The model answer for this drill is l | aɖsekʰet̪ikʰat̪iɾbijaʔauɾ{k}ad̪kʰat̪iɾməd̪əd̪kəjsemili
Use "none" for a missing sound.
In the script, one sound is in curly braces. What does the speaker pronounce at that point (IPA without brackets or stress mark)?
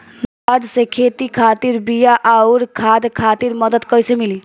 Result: kʰ